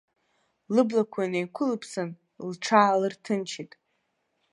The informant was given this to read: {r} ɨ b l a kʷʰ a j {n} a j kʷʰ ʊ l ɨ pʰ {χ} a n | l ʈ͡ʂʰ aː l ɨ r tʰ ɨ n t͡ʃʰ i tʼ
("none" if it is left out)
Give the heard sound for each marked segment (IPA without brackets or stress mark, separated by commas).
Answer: l, n, s